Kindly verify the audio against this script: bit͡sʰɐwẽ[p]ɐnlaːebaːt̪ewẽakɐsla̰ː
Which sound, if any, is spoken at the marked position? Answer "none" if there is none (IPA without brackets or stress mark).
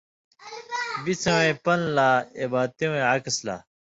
p